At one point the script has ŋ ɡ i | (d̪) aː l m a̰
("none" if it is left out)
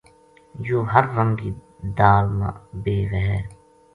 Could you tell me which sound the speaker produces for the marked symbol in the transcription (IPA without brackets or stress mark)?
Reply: d̪